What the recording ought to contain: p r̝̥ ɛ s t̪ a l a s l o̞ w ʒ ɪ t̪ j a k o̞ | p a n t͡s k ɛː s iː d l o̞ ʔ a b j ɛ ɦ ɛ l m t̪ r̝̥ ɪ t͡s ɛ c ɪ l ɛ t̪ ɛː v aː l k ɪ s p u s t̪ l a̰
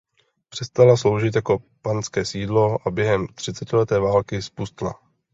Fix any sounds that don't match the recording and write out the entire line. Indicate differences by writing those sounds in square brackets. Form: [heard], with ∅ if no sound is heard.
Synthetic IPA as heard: p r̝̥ ɛ s t̪ a l a s l o̞ w ʒ ɪ t̪ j a k o̞ | p a n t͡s k ɛː s iː d l o̞ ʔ a b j ɛ ɦ ɛ [∅] m t̪ r̝̥ ɪ t͡s ɛ c ɪ l ɛ t̪ ɛː v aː l k ɪ s p u s t̪ l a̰

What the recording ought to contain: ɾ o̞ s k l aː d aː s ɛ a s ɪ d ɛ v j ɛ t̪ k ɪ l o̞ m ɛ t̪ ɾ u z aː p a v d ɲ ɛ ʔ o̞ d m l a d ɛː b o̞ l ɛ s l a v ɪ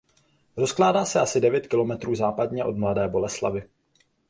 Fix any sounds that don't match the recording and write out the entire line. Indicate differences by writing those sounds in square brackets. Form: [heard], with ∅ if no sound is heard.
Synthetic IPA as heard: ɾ o̞ s k l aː d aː s ɛ a s ɪ d ɛ v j ɛ t̪ k ɪ l o̞ m ɛ t̪ ɾ [uː] z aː p a [∅] d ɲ ɛ ʔ o̞ d m l a d ɛː b o̞ l ɛ s l a v ɪ

